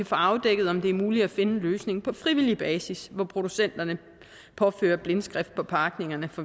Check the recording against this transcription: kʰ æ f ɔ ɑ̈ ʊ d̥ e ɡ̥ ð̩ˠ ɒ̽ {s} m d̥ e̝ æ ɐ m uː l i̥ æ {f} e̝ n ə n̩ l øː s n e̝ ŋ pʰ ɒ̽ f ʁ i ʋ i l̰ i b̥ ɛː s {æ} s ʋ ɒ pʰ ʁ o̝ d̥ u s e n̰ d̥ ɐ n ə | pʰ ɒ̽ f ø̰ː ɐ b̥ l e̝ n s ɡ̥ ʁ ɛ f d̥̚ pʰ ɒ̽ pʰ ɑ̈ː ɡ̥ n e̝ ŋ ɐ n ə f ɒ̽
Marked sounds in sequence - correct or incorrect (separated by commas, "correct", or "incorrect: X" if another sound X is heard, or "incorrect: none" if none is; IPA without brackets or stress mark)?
incorrect: none, correct, incorrect: i